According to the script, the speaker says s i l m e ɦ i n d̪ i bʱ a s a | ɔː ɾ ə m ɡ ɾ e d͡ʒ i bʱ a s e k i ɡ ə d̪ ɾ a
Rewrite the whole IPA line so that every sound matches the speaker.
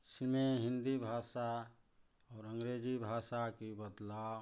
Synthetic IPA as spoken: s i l m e ɦ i n d̪ i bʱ a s a | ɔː ɾ ə ŋ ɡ ɾ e d͡ʒ i bʱ a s a k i b ə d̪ l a